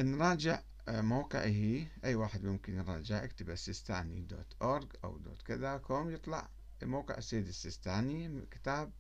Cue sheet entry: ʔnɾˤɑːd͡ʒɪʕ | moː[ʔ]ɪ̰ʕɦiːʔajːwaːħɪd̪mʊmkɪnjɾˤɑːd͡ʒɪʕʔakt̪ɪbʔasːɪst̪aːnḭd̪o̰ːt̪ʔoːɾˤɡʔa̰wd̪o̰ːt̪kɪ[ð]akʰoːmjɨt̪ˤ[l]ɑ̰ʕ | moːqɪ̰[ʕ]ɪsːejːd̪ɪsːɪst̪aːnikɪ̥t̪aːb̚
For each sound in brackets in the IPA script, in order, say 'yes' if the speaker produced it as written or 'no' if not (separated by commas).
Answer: no, yes, yes, yes